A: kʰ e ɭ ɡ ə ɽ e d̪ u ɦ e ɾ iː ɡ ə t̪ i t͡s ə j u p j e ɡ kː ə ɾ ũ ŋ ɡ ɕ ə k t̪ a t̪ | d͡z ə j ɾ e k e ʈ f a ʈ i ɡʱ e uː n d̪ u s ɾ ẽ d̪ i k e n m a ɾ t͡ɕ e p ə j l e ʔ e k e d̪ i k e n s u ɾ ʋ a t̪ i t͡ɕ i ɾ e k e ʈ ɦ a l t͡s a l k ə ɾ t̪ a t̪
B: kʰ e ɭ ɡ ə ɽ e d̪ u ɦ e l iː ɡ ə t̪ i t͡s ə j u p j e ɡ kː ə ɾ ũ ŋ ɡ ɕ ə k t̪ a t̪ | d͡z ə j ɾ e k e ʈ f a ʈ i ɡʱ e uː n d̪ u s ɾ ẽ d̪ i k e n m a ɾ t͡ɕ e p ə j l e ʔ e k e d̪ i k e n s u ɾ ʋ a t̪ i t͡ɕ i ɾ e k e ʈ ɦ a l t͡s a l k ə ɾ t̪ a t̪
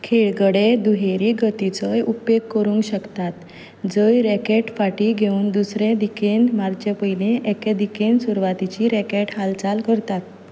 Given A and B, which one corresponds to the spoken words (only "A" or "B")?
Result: A